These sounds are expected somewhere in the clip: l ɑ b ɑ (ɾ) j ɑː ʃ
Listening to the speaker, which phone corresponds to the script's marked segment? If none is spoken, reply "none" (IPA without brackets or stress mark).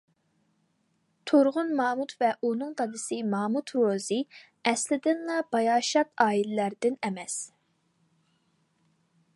none